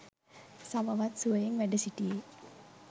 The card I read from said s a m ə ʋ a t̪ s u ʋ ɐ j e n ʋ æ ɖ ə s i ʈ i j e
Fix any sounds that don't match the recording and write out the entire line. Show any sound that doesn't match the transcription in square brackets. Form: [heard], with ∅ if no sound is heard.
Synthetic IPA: s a m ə ʋ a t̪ s u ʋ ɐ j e [ŋ] ʋ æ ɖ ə s i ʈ i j e